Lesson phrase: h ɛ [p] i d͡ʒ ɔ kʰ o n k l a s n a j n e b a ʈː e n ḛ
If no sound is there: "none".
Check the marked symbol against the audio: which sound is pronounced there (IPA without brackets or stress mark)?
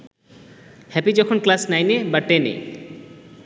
p